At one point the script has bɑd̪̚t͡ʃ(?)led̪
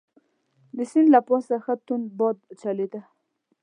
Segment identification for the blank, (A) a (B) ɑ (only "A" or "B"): A